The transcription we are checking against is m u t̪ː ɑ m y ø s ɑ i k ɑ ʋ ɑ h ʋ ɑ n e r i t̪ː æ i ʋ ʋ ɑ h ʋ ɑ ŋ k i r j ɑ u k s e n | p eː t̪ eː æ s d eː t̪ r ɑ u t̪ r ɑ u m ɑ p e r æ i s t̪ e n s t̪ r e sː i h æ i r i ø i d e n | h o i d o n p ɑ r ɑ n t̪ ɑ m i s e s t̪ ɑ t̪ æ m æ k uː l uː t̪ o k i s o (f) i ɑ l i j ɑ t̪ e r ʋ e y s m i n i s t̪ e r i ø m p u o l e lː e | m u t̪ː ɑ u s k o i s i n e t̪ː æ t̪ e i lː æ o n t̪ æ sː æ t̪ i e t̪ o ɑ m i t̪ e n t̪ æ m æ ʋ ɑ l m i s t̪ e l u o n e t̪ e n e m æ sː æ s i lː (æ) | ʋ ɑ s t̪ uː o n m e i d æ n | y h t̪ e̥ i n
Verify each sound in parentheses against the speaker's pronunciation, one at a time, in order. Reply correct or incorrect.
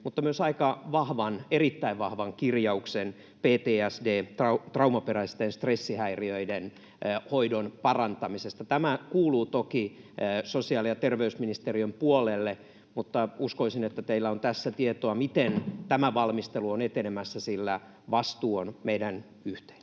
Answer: incorrect: s, correct

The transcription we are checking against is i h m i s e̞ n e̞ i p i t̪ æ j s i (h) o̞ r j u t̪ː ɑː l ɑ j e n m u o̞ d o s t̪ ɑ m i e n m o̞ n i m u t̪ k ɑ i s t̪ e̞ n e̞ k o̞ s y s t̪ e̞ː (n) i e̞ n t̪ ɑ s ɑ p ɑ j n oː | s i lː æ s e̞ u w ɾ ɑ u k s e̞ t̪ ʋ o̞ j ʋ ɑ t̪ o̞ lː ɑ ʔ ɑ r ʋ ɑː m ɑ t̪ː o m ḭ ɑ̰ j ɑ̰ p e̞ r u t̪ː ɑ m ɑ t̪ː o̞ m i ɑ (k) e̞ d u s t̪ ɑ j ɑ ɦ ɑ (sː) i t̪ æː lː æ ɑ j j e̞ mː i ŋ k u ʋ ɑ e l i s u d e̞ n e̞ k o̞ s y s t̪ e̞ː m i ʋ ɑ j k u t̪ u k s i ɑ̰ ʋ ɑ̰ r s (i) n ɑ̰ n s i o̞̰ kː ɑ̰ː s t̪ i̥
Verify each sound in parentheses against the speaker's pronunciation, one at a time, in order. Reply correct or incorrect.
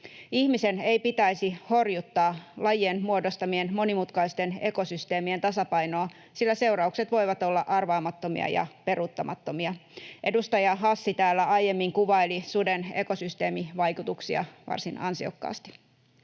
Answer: correct, incorrect: m, incorrect: ʔ, correct, correct

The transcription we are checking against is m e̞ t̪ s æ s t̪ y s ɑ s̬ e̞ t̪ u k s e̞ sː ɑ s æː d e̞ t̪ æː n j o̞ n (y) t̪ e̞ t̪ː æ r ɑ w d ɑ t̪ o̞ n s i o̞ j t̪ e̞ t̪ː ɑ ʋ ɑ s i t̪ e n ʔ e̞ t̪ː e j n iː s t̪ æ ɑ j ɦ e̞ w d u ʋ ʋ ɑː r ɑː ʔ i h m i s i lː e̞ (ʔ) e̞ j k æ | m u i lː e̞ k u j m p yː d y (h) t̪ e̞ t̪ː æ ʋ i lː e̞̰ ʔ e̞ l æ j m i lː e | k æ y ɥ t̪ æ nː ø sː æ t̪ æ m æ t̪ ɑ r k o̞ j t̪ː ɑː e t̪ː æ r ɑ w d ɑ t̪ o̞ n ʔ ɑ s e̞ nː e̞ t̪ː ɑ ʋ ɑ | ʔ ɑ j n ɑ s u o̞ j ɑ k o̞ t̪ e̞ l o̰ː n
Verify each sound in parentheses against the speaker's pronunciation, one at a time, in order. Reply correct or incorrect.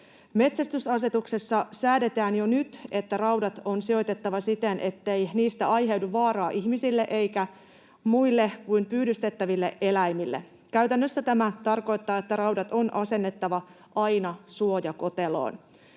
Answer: correct, correct, incorrect: s

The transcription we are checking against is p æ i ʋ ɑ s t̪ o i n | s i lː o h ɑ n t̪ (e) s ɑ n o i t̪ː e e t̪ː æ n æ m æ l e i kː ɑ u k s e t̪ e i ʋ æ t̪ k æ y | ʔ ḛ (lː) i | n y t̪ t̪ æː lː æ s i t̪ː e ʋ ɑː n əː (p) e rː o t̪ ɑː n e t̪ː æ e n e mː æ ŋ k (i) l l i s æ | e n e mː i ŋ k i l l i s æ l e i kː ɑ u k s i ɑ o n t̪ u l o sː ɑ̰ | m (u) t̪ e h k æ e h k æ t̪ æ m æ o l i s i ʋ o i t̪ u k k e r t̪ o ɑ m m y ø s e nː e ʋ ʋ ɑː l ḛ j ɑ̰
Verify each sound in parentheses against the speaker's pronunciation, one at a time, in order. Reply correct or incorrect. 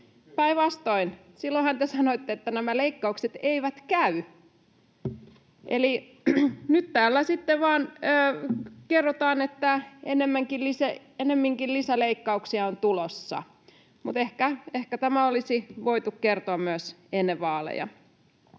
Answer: correct, incorrect: l, incorrect: k, correct, correct

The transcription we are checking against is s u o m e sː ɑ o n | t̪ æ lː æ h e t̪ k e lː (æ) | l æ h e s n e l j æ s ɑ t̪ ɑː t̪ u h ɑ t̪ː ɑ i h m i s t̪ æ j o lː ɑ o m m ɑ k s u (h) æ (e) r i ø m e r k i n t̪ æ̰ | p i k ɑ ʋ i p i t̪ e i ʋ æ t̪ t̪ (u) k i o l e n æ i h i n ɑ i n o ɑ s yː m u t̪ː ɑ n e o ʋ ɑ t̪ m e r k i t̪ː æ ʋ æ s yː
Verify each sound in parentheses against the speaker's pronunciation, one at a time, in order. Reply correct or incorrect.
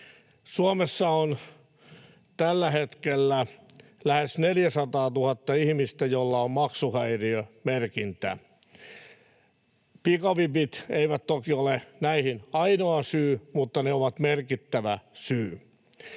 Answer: correct, correct, incorrect: i, incorrect: o

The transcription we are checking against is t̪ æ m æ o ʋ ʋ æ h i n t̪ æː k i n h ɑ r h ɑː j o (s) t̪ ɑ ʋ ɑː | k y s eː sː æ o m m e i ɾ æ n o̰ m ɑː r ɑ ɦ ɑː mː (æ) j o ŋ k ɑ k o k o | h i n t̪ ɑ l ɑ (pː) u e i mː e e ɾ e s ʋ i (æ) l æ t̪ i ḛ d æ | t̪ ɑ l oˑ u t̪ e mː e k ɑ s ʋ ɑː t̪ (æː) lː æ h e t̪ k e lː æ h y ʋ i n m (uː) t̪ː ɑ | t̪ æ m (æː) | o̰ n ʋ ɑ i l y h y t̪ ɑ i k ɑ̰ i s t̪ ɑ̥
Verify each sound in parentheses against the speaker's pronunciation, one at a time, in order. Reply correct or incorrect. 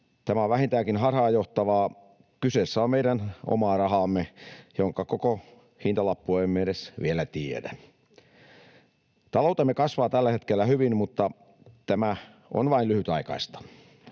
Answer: incorrect: h, incorrect: e, correct, incorrect: e, incorrect: æ, incorrect: u, incorrect: æ

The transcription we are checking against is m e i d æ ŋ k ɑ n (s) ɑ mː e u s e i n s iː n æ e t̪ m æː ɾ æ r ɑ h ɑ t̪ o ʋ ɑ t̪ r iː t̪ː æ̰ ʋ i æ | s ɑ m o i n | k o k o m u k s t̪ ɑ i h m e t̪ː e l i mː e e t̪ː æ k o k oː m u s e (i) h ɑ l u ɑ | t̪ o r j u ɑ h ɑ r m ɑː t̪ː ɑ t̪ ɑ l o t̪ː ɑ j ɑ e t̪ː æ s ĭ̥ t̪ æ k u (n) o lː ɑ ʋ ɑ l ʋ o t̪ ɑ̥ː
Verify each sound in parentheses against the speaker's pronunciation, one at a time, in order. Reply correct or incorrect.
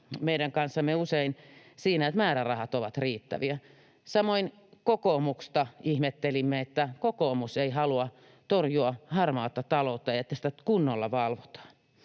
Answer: incorrect: sː, correct, incorrect: nː

